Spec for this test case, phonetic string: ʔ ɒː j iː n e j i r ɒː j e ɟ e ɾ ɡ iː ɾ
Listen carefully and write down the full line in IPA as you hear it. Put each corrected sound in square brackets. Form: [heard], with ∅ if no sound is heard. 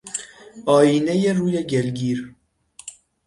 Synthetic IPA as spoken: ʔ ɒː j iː n e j [e] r [uː] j e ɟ e [l] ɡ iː ɾ